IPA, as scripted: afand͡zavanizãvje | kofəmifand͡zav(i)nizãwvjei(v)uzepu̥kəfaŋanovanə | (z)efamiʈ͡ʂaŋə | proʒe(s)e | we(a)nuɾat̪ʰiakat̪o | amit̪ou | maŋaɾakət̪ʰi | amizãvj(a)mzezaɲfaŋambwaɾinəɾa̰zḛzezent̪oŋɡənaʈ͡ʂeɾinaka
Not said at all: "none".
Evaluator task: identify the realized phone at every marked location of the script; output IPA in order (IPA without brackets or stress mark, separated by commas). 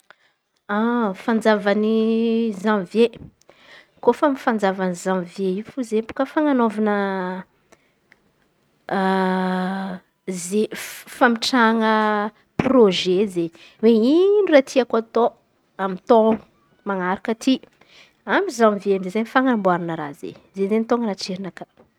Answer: a, f, z, z, i, e